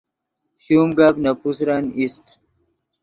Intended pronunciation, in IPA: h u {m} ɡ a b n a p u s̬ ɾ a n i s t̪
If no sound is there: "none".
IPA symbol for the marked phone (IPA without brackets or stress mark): m